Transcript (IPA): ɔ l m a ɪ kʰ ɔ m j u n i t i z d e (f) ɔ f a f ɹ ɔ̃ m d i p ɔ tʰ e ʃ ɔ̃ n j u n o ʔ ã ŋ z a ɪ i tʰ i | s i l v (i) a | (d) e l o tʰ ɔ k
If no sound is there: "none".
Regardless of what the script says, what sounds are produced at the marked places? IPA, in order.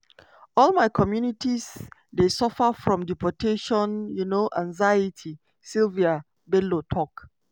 s, i, b

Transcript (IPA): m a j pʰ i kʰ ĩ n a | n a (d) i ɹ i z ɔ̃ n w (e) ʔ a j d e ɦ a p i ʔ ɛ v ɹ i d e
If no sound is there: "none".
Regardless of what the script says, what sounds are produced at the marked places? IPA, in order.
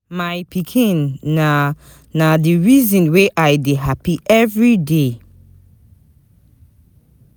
d, e

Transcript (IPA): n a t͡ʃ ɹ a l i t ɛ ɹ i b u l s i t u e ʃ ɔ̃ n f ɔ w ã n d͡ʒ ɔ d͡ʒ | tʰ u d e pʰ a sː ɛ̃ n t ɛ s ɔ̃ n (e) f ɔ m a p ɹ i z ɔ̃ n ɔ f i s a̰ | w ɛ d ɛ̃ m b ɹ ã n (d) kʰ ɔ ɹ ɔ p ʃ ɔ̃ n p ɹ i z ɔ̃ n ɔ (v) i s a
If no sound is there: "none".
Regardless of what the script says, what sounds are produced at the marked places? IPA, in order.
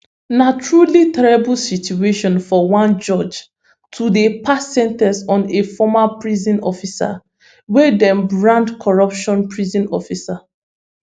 e, d, f

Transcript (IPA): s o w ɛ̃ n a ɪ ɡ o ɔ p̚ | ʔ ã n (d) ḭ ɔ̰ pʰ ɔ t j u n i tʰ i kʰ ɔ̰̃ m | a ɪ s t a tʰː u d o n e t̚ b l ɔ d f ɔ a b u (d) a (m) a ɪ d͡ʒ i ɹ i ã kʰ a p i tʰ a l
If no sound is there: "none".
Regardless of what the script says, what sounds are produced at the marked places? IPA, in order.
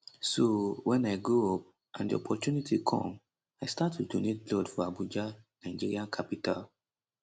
d, d͡ʒ, n

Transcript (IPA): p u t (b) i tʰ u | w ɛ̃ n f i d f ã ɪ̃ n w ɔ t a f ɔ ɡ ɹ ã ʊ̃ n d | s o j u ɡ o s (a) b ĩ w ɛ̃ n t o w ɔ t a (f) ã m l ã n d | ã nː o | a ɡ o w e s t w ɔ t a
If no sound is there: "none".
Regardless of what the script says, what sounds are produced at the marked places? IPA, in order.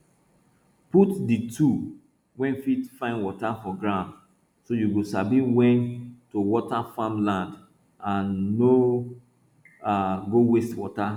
d, a, f

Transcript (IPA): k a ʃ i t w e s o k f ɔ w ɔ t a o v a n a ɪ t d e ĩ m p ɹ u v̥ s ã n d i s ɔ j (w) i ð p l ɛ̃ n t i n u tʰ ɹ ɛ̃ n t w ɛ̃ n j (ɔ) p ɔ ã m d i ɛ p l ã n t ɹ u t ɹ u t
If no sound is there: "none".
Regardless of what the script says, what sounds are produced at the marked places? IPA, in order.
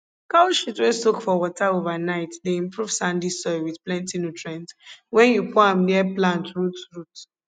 w, u

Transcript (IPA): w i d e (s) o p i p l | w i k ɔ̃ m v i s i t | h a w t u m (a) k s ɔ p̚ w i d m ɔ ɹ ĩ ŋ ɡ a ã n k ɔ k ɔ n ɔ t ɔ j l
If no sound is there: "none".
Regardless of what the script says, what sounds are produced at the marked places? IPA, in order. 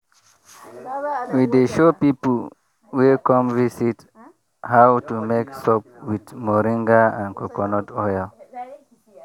ʃ, e

